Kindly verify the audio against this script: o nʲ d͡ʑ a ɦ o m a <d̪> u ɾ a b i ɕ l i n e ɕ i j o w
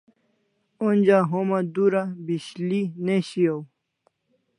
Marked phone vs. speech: correct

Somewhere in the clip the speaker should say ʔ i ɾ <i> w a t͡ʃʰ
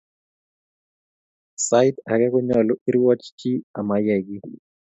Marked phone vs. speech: correct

